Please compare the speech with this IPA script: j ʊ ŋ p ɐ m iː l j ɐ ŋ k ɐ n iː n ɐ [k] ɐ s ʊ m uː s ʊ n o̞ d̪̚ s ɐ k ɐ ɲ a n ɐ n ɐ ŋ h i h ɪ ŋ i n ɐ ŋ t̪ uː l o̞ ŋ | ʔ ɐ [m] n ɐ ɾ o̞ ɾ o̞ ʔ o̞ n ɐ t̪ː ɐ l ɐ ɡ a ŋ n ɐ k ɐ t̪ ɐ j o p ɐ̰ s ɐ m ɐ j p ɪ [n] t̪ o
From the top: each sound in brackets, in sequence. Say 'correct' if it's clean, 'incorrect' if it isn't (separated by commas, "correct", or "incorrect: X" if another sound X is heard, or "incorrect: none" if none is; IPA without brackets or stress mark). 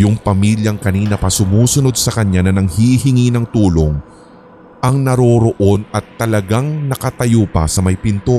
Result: incorrect: p, incorrect: ŋ, correct